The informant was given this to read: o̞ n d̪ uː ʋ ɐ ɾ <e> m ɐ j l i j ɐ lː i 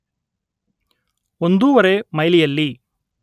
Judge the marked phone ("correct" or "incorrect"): correct